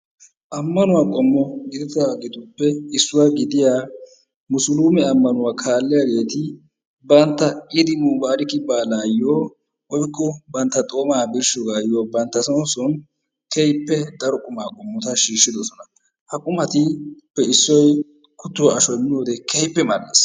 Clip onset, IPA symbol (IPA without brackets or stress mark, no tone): ʔ